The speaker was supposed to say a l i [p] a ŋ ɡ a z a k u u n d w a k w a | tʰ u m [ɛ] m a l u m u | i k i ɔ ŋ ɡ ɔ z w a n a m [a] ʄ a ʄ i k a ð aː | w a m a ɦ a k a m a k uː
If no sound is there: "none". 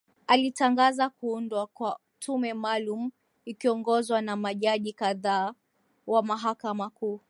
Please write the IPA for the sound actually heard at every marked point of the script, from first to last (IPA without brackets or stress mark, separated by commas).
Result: t, ɛ, a